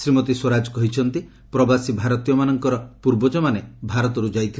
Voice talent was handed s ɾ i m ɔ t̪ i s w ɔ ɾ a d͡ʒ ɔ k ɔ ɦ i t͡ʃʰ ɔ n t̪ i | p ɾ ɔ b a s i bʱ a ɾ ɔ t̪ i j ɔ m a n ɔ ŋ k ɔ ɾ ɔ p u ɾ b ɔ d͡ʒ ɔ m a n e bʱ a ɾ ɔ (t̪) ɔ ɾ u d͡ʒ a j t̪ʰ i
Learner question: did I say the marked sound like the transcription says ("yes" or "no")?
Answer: yes